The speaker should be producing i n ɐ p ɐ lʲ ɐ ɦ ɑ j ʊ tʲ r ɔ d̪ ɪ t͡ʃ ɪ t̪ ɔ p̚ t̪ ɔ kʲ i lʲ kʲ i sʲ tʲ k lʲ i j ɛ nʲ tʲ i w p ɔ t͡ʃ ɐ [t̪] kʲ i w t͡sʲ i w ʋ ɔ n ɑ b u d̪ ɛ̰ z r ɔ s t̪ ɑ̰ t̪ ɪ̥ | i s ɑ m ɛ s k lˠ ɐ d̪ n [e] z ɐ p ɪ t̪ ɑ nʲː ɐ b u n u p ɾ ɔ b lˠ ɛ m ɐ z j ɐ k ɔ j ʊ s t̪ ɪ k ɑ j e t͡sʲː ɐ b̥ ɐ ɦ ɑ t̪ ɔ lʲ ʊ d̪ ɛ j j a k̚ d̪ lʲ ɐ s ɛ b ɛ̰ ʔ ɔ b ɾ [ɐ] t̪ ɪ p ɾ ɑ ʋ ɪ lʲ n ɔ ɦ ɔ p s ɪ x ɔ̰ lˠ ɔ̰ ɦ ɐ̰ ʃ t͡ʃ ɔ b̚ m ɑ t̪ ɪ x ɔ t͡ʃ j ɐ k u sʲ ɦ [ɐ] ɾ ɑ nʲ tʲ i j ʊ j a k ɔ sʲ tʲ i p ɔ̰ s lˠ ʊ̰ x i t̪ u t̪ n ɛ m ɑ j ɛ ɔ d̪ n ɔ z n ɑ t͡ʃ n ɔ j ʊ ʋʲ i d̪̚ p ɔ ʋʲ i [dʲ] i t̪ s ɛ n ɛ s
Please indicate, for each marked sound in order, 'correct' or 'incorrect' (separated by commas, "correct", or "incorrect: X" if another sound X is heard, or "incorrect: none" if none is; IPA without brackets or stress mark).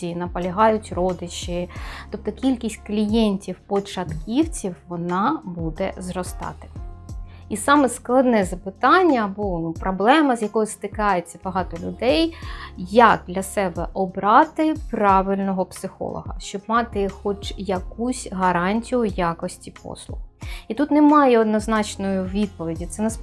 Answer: correct, incorrect: ɛ, incorrect: ɑ, correct, correct